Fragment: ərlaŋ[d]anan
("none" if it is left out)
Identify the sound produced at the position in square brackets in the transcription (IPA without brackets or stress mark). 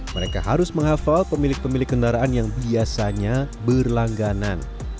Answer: ɡ